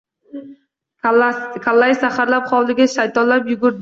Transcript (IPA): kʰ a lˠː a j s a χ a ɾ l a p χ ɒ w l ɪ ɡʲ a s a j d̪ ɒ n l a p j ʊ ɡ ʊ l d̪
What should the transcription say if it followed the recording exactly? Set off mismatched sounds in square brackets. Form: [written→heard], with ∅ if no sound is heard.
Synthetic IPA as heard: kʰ a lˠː a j s a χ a ɾ l a p χ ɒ w l ɪ ɡʲ a [s→ʃ] a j [d̪→t̪] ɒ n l a p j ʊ ɡ ʊ [l→ɾ] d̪